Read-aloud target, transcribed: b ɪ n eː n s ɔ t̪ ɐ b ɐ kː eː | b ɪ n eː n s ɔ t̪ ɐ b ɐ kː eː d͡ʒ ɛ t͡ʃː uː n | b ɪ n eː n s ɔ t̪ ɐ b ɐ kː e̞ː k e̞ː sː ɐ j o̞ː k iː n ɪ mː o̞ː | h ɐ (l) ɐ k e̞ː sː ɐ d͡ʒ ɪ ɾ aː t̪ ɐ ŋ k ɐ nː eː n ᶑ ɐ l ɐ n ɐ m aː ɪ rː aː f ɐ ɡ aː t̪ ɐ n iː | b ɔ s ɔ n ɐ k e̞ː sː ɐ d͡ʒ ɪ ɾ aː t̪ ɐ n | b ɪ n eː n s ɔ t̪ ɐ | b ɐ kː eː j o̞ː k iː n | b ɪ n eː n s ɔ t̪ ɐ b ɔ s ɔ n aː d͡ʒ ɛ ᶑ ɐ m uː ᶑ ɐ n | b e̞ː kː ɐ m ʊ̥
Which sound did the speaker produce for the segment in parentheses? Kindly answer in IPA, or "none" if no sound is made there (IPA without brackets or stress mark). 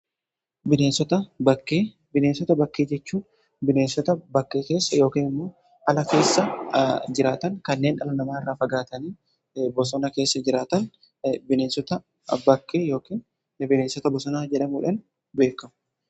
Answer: l